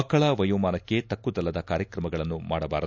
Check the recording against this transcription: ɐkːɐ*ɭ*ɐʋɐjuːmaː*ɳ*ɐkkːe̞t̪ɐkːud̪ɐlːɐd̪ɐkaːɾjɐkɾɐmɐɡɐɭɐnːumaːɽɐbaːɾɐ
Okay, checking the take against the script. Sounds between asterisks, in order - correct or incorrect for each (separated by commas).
correct, incorrect